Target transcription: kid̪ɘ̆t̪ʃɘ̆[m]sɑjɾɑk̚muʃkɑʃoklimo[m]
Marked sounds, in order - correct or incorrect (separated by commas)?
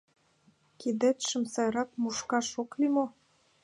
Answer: correct, incorrect